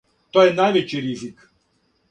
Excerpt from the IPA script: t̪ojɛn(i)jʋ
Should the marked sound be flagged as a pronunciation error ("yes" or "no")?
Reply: yes